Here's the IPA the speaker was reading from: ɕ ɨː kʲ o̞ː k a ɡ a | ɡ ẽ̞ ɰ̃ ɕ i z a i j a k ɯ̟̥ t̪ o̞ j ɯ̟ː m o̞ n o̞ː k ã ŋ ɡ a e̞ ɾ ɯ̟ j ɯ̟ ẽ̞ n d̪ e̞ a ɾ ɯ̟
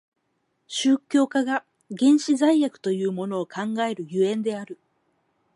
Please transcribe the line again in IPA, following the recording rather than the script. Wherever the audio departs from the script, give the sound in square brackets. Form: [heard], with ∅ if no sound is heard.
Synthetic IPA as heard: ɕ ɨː kʲ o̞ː k a ɡ a | ɡ ẽ̞ ɰ̃ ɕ i z a i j a k ɯ̟̥ t̪ o̞ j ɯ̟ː m o̞ n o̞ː k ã ŋ ɡ a e̞ ɾ ɯ̟ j ɯ̟ ẽ̞ n d̪ e̞ a ɾ ɯ̟

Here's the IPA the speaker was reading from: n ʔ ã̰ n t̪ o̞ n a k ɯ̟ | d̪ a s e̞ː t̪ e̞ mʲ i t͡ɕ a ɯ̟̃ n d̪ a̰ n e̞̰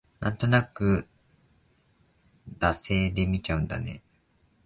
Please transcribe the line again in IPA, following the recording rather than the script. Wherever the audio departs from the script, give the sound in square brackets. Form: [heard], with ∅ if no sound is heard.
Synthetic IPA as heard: n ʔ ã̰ n t̪ o̞ n a k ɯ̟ | d̪ a s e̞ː [d̪] e̞ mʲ i t͡ɕ a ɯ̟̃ n d̪ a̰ n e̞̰

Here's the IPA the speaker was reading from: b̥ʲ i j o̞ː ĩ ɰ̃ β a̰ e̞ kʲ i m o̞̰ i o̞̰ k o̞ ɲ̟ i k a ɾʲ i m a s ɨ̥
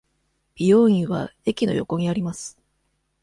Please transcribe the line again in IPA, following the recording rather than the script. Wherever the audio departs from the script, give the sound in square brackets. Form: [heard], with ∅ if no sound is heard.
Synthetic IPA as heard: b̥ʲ i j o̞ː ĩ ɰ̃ β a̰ e̞ kʲ i [n] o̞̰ [j] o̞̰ k o̞ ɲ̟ i [∅] a ɾʲ i m a s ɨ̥

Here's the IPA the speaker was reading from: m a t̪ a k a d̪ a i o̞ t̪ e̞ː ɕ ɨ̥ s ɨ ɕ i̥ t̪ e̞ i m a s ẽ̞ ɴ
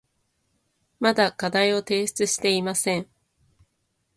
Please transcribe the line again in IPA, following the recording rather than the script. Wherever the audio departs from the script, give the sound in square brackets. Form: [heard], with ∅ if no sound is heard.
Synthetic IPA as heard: m a [d̪] a k a d̪ a i o̞ t̪ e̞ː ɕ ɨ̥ [t͡s] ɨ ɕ i̥ t̪ e̞ i m a s ẽ̞ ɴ

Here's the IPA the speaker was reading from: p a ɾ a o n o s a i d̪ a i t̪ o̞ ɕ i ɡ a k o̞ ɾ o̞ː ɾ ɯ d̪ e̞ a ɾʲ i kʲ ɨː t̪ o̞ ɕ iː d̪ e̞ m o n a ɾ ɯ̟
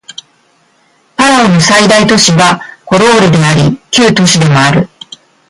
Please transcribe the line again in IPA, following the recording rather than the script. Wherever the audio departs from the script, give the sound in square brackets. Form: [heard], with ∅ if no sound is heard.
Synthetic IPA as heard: p a ɾ a o n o s a i d̪ a i t̪ o̞ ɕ i ɡ a k o̞ ɾ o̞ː ɾ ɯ d̪ e̞ a ɾʲ i kʲ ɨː t̪ o̞ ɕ [i] d̪ e̞ m o [∅] a ɾ ɯ̟

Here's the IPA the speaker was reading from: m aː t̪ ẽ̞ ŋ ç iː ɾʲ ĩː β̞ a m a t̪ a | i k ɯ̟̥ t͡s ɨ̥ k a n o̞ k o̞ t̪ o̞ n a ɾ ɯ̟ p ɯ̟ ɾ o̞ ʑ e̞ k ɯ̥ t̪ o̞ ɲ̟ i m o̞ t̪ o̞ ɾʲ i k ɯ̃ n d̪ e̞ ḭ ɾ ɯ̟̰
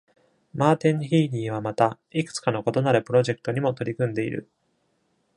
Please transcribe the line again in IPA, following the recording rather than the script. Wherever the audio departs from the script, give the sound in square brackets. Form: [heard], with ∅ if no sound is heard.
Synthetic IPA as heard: m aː t̪ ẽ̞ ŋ ç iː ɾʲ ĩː β̞ a m a t̪ a | i k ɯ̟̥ t͡s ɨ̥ k a n o̞ k o̞ t̪ o̞ n a ɾ ɯ̟ p ɯ̟ ɾ o̞ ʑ e̞ k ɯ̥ t̪ o̞ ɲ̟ i m o̞ t̪ o̞ ɾʲ i k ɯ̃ n d̪ e̞ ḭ ɾ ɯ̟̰

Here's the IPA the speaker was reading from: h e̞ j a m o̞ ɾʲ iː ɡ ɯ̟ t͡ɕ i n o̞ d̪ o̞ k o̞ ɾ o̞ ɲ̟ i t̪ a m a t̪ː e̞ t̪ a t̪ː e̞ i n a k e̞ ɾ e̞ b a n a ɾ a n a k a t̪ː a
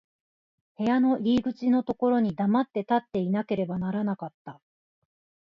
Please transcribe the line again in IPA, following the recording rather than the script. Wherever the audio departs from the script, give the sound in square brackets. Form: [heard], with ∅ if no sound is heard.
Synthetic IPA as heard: h e̞ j a [n] o̞ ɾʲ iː ɡ ɯ̟ t͡ɕ i n o̞ [t̪] o̞ k o̞ ɾ o̞ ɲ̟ i [d̪] a m a t̪ː e̞ t̪ a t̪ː e̞ i n a k e̞ ɾ e̞ b a n a ɾ a n a k a t̪ː a

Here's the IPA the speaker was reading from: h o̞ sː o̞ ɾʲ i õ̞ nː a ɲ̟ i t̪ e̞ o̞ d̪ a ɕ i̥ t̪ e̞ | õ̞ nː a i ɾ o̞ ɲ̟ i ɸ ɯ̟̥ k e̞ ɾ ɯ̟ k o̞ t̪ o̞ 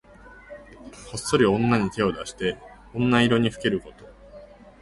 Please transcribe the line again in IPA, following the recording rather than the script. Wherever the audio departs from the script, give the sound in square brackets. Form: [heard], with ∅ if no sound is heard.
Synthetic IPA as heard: h o̞ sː o̞ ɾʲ i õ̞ nː a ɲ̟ i t̪ e̞ o̞ d̪ a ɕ i̥ t̪ e̞ | õ̞ nː a i ɾ o̞ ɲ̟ i ɸ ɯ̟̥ k e̞ ɾ ɯ̟ k o̞ t̪ o̞

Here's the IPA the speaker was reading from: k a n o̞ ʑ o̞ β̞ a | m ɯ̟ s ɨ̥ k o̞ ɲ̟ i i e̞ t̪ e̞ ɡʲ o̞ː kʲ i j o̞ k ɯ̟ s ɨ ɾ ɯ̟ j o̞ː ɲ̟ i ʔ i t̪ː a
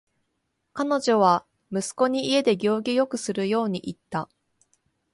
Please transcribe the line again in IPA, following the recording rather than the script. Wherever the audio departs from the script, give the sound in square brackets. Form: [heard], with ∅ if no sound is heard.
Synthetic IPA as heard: k a n o̞ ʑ o̞ β̞ a | m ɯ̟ s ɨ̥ k o̞ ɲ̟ i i e̞ [d̪] e̞ ɡʲ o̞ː [ɡʲ] i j o̞ k ɯ̟ s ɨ ɾ ɯ̟ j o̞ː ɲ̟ i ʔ i t̪ː a

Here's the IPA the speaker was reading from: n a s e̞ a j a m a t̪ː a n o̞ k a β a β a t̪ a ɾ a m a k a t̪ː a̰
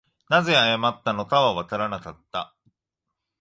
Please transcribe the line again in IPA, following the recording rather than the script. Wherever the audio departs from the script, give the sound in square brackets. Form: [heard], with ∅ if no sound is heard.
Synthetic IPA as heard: n a [z] e̞ a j a m a t̪ː a n o̞ k a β a β a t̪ a ɾ a [n] a k a t̪ː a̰

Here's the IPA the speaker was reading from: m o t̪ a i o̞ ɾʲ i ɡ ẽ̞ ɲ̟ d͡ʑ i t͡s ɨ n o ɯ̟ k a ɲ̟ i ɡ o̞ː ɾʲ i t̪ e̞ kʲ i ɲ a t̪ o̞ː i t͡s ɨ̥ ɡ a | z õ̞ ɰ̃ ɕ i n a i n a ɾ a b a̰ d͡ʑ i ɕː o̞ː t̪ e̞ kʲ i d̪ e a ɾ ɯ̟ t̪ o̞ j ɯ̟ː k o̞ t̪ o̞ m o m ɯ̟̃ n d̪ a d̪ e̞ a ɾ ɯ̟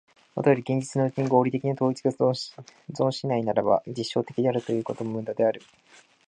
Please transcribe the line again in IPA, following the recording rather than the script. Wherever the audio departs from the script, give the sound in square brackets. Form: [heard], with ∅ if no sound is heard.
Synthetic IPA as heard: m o t̪ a [j] o̞ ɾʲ i ɡ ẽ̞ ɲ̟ d͡ʑ i t͡s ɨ n o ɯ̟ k [i] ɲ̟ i ɡ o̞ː ɾʲ i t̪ e̞ kʲ i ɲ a t̪ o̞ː i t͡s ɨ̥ ɡ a | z õ̞ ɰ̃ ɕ i n a i n a ɾ a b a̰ d͡ʑ i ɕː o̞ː t̪ e̞ kʲ i d̪ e a ɾ ɯ̟ t̪ o̞ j ɯ̟ː k o̞ t̪ o̞ m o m ɯ̟̃ n d̪ a d̪ e̞ a ɾ ɯ̟

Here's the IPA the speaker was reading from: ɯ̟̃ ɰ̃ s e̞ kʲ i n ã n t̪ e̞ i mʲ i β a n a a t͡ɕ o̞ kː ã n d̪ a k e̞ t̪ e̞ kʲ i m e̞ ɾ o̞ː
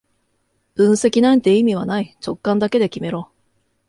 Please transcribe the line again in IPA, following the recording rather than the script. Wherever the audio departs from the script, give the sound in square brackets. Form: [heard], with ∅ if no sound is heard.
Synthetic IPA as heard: ɯ̟̃ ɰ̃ s e̞ kʲ i n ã n t̪ e̞ i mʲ i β a n a [i] t͡ɕ o̞ kː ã n d̪ a k e̞ [d̪] e̞ kʲ i m e̞ ɾ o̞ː

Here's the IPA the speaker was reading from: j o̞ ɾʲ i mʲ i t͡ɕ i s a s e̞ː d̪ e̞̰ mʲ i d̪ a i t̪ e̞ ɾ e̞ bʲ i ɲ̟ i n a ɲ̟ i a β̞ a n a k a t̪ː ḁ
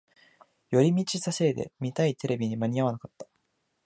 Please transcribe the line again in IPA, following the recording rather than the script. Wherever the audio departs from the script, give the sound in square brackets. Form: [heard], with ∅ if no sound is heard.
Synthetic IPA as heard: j o̞ ɾʲ i mʲ i t͡ɕ i s a s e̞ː d̪ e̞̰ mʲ i [t̪] a i t̪ e̞ ɾ e̞ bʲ i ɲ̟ i [m] a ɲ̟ i a β̞ a n a k a t̪ː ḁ

